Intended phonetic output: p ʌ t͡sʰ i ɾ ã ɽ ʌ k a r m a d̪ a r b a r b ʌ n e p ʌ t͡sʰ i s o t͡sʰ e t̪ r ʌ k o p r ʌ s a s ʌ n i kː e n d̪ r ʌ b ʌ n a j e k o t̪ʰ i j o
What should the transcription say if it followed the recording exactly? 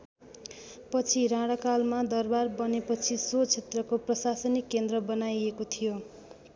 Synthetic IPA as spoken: p ʌ t͡sʰ i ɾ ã ɽ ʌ k a l m a d̪ ʌ r b a r b ʌ n e p ʌ t͡sʰ i s o t͡sʰ e t̪ r ʌ k o p r ʌ s a s ʌ n i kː e n d̪ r ʌ b ʌ n a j e k o t̪ʰ i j o